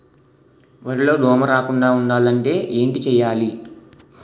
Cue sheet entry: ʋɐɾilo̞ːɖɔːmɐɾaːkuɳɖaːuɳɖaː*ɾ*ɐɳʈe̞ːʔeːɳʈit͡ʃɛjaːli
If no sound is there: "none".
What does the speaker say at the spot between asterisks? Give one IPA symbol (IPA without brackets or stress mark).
l